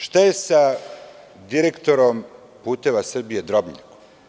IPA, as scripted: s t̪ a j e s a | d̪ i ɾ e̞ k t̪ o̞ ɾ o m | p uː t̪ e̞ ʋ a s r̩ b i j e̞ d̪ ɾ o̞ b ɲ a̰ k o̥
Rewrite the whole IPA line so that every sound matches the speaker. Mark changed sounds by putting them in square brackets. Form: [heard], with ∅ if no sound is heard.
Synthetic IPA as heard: [ʃ] t̪ a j e s a | d̪ i ɾ e̞ k t̪ o̞ ɾ o m | p uː t̪ e̞ ʋ a s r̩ b i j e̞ d̪ ɾ o̞ b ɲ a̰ k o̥